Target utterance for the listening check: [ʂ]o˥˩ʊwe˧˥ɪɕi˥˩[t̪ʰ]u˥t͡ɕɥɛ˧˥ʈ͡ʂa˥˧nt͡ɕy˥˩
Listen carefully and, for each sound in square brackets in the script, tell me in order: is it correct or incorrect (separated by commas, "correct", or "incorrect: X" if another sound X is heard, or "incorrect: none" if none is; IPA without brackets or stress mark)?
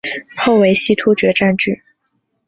incorrect: x, correct